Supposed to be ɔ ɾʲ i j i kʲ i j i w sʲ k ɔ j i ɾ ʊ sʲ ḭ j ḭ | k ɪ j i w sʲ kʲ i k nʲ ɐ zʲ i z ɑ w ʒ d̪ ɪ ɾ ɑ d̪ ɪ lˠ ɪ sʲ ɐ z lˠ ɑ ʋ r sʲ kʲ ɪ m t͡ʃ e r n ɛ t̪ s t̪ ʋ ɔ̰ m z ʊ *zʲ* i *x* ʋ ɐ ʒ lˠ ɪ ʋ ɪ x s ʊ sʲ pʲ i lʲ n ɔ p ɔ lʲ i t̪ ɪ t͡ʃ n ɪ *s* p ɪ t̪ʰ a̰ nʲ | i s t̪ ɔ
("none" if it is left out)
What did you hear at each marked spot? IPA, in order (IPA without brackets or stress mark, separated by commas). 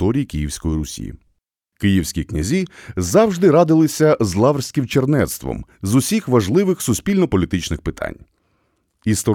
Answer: sʲ, x, x